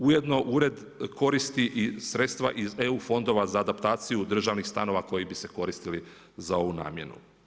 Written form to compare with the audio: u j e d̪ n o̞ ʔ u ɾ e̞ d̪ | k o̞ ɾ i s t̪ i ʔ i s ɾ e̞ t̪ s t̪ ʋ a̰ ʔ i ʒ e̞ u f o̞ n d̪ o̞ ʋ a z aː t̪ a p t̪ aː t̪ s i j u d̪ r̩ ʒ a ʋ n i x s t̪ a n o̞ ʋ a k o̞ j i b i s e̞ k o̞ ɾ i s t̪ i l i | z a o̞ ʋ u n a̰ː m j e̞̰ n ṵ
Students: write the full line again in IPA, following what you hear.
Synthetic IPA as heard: u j e d̪ n o̞ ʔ u ɾ e̞ d̪ | k o̞ ɾ i s t̪ i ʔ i s ɾ e̞ t̪ s t̪ ʋ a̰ ʔ i z e̞ u f o̞ n d̪ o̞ ʋ a z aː d̪ a p t̪ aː t̪ s i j u d̪ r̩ ʒ a ʋ n i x s t̪ a n o̞ ʋ a k o̞ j i b i s e̞ k o̞ ɾ i s t̪ i l i | z a o̞ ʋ u n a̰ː m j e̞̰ n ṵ